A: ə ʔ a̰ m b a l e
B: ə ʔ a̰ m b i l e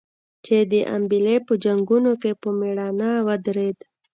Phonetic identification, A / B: B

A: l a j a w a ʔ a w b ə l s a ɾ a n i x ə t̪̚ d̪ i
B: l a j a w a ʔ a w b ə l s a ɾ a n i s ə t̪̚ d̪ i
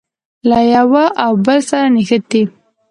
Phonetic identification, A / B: A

